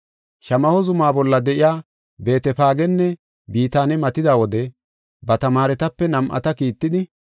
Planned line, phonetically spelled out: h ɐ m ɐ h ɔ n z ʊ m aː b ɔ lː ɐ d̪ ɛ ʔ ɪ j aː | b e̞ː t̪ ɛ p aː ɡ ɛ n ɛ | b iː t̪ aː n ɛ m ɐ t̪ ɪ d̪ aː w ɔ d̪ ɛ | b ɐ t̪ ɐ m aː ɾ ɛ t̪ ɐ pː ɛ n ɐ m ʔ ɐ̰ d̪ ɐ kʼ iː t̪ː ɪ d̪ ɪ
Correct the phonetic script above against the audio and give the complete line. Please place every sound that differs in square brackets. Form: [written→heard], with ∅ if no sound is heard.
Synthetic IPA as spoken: [h→ʃ] ɐ m ɐ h ɔ [n→∅] z ʊ m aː b ɔ lː ɐ d̪ ɛ ʔ ɪ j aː | b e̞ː t̪ ɛ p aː ɡ ɛ [n→nː] ɛ | b iː t̪ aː n ɛ m ɐ t̪ ɪ d̪ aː w ɔ d̪ ɛ | b ɐ t̪ ɐ m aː ɾ ɛ t̪ ɐ pː ɛ n ɐ m ʔ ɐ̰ [d̪→t̪] ɐ [kʼ→k] iː t̪ː ɪ d̪ ɪ